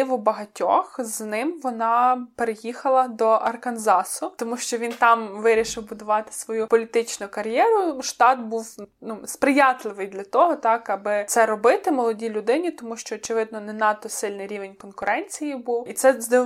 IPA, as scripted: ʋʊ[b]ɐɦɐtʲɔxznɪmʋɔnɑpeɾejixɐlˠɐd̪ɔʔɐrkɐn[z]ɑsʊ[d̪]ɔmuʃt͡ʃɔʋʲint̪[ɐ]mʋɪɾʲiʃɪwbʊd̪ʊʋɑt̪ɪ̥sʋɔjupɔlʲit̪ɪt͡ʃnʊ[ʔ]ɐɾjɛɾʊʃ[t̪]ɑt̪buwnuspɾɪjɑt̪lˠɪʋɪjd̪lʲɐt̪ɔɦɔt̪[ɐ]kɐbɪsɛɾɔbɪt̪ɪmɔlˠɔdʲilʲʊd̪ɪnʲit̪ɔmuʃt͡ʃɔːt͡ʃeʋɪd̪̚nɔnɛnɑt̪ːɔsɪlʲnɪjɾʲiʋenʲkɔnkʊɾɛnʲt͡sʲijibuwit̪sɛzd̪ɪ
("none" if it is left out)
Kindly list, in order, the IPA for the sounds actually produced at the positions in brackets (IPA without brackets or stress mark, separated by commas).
b, z, t̪, ɑ, k, t̪, ɑ